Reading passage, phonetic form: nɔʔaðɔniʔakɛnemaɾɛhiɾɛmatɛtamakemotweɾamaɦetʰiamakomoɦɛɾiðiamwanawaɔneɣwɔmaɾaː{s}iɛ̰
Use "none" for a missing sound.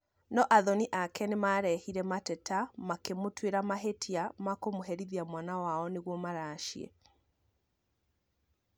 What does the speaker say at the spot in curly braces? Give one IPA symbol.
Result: ʃ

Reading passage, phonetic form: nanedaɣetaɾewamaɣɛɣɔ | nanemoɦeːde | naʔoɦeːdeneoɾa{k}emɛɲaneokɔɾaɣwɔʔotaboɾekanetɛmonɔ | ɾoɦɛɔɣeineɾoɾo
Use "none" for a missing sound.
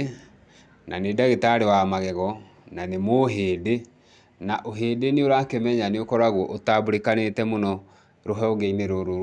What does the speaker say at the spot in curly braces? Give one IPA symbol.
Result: k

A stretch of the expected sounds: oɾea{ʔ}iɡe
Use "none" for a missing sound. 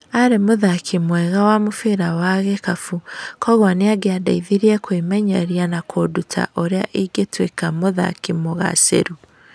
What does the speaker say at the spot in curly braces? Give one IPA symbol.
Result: ʔ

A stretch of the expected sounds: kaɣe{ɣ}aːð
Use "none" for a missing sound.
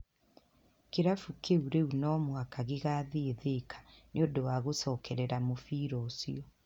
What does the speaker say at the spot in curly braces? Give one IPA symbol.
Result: ɣ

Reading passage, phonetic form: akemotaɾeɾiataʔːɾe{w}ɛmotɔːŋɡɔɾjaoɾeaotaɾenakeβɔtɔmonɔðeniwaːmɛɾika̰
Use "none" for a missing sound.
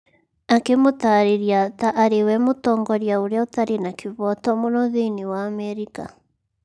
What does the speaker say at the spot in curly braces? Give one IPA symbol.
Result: w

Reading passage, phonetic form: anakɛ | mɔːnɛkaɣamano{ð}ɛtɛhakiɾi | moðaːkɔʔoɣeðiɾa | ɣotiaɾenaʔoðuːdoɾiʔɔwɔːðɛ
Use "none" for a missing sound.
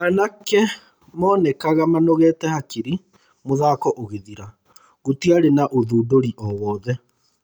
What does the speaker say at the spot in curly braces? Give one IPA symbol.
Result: ɣ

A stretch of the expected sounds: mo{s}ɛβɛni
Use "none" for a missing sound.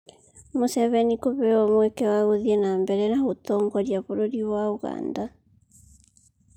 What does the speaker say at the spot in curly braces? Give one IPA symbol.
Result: s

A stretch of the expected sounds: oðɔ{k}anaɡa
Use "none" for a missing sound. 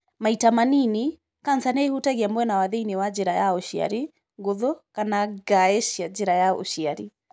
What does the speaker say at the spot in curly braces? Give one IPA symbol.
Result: k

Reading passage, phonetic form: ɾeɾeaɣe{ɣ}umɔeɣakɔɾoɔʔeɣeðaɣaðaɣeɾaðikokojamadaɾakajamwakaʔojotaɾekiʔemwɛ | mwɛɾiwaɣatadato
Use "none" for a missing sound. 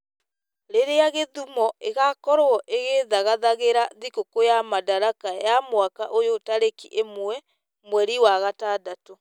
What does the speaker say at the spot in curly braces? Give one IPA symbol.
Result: ð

